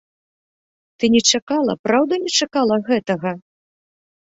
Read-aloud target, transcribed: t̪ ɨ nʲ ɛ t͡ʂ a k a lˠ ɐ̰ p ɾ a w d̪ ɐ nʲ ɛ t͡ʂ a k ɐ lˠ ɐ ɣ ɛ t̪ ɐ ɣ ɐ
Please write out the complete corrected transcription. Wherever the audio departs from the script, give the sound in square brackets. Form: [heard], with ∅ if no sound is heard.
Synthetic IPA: t̪ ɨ nʲ ɛ t͡ʂ a k a lˠ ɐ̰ p ɾ a w d̪ ɐ nʲ ɛ t͡ʂ a k [a] lˠ ɐ ɣ ɛ t̪ ɐ ɣ ɐ